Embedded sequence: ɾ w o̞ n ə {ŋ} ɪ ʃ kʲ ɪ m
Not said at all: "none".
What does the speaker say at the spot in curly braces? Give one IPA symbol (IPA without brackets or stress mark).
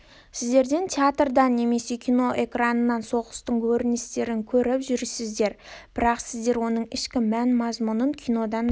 ɴ